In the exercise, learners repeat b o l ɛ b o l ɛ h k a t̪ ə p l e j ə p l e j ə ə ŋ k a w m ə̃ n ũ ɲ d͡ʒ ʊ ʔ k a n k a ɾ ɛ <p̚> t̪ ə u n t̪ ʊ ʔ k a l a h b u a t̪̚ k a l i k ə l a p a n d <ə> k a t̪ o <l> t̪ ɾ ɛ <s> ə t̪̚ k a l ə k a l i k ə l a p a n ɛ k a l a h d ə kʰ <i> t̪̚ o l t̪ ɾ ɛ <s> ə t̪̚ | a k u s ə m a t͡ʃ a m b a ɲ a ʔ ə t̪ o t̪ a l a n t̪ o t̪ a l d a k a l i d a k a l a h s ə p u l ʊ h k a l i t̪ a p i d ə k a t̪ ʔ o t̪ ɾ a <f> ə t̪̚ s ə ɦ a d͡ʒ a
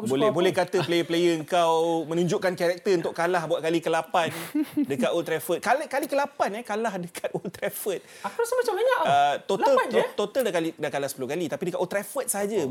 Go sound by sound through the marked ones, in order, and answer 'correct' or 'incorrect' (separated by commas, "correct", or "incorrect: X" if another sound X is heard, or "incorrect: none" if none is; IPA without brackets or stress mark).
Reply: incorrect: k̚, correct, correct, incorrect: f, incorrect: a, incorrect: f, correct